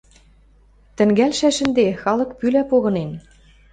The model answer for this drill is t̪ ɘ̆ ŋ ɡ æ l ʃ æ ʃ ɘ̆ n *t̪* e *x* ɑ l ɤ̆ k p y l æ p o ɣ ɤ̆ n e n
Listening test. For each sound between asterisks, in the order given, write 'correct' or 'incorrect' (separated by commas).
incorrect, correct